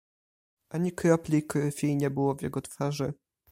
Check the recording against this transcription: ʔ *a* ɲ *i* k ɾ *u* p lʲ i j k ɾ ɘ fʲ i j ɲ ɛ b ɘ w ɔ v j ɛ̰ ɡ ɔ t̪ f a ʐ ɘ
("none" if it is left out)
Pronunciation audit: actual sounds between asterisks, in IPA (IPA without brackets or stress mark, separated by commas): a, i, ɔ